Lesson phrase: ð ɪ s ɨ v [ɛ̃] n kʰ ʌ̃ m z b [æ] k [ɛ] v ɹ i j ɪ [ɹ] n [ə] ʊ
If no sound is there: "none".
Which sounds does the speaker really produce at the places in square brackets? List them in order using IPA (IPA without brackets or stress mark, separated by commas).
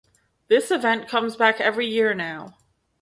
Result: ɛ̃, æ, ɛ, ɹ, a